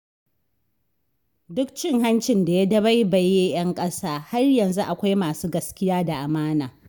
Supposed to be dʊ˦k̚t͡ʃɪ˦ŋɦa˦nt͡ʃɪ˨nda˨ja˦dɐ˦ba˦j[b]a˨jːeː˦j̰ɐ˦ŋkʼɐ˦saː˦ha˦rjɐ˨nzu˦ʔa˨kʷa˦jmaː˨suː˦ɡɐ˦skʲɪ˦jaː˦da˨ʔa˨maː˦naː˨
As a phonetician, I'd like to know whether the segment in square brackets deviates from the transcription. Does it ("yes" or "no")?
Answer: no